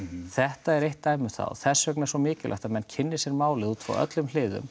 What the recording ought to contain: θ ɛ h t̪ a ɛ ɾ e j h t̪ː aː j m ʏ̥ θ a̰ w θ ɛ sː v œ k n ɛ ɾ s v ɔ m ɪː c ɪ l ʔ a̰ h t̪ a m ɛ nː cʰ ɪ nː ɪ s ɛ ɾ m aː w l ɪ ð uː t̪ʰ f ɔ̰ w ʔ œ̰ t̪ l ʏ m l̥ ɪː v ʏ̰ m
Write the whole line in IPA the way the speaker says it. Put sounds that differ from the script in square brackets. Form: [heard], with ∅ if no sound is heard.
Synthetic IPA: θ ɛ h t̪ a ɛ ɾ e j h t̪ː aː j m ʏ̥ θ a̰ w θ ɛ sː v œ k n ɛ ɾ s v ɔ m ɪː c ɪ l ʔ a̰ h t̪ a m ɛ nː cʰ ɪ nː ɪ s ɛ ɾ m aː w l ɪ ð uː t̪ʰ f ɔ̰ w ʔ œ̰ t̪ l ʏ m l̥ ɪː [ð] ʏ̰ m